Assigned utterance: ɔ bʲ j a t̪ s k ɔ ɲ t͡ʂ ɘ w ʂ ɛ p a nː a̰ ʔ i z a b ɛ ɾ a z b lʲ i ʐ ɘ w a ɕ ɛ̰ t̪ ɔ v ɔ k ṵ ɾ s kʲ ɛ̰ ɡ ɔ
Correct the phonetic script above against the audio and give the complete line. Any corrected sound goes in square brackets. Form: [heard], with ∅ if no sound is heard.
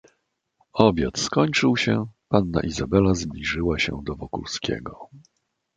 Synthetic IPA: ɔ bʲ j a t̪ s k ɔ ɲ t͡ʂ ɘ w [ɕ] ɛ p a nː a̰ ʔ i z a b ɛ [l] a z b lʲ i ʐ ɘ w a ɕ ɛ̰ [d̪] ɔ v ɔ k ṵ [l] s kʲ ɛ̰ ɡ ɔ